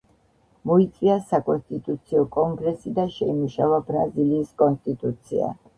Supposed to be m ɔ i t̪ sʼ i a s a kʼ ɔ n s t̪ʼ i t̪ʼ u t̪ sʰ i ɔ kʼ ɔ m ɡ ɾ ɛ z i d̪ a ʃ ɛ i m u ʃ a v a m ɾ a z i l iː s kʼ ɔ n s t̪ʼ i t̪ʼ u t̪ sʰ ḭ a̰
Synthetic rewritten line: m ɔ i t̪ sʼ i a s a kʼ ɔ n s t̪ʼ i t̪ʼ u t̪ sʰ i ɔ kʼ ɔ ŋ ɡ ɾ ɛ s i d̪ a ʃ ɛ i m u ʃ a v a b ɾ a z i l iː s kʼ ɔ n s t̪ʼ i t̪ʼ u t̪ sʰ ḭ a̰